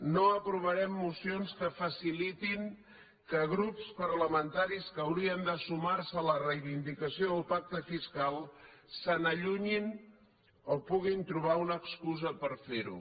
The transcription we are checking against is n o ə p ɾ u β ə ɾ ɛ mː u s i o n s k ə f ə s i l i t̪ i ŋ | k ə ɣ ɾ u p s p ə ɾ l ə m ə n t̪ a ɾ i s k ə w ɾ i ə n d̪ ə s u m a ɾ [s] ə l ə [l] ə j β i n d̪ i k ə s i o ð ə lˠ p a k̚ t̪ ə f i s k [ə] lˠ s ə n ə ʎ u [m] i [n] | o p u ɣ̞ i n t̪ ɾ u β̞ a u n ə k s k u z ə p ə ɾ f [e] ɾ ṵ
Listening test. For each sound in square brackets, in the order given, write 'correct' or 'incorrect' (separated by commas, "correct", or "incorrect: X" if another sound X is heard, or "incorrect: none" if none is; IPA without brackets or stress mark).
correct, incorrect: r, incorrect: a, incorrect: ɲ, correct, correct